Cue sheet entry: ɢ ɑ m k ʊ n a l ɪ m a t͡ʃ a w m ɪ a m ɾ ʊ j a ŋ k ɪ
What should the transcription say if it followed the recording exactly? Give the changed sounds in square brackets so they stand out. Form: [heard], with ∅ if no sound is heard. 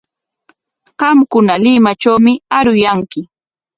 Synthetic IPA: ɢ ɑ m k ʊ n a l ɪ m a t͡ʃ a w m ɪ a [∅] ɾ ʊ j a ŋ k ɪ